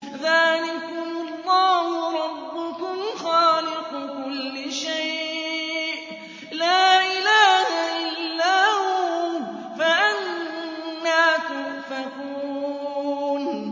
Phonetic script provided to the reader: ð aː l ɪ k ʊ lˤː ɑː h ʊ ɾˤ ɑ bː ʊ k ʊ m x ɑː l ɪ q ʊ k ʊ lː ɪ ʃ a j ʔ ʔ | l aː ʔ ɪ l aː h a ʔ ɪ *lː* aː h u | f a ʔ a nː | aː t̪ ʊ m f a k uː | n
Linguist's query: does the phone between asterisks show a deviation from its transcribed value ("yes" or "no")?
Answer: no